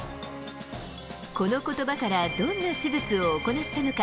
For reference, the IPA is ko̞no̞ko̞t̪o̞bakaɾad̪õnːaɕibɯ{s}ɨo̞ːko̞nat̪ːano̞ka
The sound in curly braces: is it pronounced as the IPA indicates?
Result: no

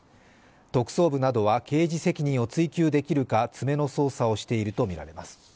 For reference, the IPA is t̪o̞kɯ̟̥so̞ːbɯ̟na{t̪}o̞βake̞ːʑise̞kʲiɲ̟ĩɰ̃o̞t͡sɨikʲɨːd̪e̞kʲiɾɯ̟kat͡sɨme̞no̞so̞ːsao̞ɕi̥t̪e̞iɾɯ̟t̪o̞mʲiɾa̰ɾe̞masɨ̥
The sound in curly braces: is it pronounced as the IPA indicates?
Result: no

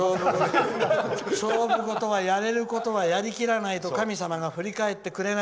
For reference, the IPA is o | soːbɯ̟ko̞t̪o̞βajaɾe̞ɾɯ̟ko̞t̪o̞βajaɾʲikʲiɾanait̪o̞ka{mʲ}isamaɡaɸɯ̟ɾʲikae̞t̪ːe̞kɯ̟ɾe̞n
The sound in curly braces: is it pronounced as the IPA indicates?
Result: yes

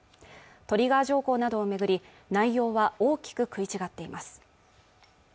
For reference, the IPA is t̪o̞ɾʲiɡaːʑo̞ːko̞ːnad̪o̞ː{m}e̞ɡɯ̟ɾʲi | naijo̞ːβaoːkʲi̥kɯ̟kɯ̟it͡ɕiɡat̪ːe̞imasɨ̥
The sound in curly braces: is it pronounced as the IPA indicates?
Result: yes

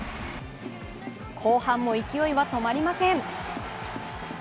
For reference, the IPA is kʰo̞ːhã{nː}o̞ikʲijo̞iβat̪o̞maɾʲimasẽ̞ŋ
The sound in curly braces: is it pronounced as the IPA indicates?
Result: no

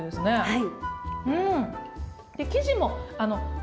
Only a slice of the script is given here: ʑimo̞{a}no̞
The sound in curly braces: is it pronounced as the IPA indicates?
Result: yes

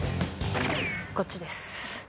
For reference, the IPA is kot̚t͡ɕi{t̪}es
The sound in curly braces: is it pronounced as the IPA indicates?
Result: no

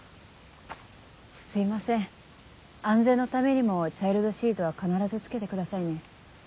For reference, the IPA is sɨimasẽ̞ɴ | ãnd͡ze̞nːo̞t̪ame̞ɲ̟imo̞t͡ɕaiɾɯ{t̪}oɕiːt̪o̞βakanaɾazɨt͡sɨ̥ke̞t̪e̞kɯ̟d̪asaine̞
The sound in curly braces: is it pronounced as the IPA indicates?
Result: no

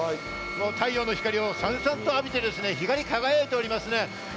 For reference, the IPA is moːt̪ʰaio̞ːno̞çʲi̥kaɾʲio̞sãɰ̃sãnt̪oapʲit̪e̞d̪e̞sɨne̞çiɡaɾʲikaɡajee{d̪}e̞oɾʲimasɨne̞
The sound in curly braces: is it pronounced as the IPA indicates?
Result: no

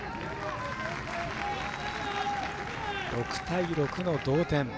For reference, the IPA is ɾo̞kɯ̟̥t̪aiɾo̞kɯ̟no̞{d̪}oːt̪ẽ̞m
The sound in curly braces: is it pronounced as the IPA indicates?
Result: yes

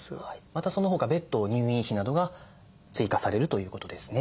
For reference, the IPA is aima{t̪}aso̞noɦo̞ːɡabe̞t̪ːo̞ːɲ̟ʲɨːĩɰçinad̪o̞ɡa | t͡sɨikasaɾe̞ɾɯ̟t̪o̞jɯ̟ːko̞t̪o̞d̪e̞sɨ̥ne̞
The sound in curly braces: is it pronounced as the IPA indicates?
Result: yes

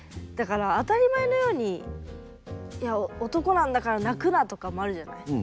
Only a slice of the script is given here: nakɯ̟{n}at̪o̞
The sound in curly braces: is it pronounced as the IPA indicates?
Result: yes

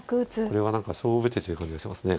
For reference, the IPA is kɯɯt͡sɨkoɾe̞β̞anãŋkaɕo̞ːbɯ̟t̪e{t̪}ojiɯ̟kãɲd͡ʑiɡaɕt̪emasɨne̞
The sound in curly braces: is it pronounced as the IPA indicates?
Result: yes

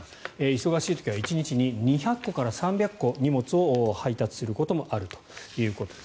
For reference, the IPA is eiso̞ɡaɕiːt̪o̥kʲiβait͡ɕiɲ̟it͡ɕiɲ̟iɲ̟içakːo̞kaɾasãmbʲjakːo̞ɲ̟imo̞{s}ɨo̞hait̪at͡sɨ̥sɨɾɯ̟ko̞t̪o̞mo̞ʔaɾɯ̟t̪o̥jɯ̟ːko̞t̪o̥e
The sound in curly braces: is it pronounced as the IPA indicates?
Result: no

